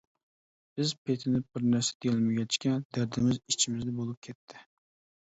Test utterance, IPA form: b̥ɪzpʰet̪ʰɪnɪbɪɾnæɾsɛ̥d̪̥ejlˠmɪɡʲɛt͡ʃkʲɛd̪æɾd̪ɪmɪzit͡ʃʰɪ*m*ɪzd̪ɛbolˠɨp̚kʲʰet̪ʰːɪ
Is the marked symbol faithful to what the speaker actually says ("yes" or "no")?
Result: yes